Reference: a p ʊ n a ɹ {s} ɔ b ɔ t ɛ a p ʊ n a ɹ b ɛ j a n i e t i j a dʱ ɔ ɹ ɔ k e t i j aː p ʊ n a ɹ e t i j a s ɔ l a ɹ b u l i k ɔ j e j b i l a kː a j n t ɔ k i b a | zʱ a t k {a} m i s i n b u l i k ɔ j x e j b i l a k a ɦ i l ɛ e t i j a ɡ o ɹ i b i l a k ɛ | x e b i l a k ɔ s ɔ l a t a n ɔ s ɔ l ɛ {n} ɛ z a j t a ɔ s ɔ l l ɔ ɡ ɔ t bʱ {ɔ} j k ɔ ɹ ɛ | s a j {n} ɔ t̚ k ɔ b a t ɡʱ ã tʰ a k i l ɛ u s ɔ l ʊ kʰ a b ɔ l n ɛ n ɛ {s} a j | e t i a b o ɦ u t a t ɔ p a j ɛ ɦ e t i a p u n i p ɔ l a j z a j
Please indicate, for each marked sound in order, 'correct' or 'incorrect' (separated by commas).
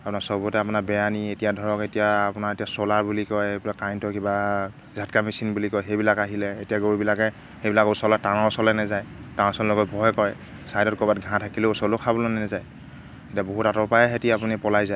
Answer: correct, correct, correct, correct, incorrect, incorrect